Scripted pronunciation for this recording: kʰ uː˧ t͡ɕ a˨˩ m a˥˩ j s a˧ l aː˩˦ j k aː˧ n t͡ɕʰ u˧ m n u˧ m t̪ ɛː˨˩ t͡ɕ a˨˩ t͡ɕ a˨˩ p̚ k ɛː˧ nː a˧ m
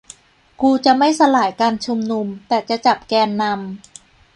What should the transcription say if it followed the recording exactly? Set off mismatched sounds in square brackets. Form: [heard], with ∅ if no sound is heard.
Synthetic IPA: [k] uː˧ t͡ɕ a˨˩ m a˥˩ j s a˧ l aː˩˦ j k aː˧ n t͡ɕʰ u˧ m n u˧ m t̪ ɛː˨˩ t͡ɕ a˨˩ t͡ɕ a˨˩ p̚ k ɛː˧ nː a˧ m

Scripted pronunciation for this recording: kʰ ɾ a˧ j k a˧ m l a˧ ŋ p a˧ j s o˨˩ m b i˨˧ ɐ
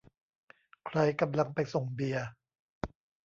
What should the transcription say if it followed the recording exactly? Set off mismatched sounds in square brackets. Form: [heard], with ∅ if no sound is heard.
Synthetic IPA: kʰ ɾ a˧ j k a˧ m l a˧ ŋ p a˧ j s o˨˩ [ŋ] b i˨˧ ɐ

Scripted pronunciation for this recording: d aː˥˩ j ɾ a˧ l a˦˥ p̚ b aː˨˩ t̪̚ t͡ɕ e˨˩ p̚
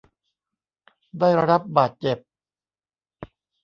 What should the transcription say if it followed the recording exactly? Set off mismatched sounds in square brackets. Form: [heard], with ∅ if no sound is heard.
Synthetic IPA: d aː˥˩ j ɾ a˧ [ɾ] a˦˥ p̚ b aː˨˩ t̪̚ t͡ɕ e˨˩ p̚

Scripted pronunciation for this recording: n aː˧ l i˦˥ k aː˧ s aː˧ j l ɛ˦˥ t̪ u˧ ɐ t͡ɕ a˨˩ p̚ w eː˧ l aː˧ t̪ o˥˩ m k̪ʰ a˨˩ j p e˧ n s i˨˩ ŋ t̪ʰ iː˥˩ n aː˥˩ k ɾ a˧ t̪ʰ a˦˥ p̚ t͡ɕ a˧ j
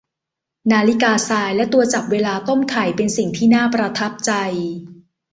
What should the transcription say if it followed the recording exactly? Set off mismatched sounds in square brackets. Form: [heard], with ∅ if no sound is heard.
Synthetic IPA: n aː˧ l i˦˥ k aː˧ s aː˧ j l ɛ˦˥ t̪ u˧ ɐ t͡ɕ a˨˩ p̚ w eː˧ l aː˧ t̪ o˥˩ m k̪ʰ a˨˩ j p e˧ n s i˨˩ ŋ t̪ʰ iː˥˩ n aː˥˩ [p] ɾ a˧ t̪ʰ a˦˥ p̚ t͡ɕ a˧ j

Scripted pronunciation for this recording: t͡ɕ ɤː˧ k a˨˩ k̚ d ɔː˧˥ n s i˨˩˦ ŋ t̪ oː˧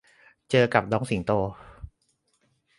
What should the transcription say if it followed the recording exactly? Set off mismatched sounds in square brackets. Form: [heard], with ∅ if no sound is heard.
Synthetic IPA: t͡ɕ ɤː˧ k a˨˩ [p̚] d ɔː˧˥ [ŋ] s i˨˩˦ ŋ t̪ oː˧

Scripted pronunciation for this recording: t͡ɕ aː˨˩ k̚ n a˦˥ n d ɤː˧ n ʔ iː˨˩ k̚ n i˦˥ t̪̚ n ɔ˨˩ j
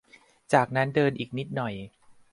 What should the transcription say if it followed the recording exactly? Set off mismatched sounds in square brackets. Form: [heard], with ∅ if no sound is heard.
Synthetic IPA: t͡ɕ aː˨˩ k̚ n a˦˥ n d ɤː˧ n ʔ iː˨˩ k̚ n i˦˥ t̪̚ n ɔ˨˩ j

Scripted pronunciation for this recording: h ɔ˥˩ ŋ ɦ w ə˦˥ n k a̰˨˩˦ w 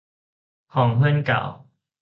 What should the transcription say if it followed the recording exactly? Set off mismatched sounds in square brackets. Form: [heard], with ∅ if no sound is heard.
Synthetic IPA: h [ɔ˨˩] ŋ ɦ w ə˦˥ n k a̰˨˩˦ w

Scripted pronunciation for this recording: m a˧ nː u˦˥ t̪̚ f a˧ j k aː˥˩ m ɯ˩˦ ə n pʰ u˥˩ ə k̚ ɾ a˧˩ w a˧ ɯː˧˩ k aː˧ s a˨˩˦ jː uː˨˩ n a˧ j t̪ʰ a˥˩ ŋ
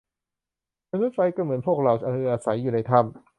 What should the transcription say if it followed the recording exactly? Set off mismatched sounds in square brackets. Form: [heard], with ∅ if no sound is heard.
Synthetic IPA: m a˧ [n] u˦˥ t̪̚ f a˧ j k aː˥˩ m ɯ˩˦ ə n pʰ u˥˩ ə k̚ ɾ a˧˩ w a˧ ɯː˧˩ [ʔ] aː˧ s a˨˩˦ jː uː˨˩ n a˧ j t̪ʰ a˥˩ [m]

